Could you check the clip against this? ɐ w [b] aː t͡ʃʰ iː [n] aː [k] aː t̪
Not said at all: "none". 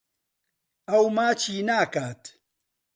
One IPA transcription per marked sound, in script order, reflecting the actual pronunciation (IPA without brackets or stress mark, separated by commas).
m, n, k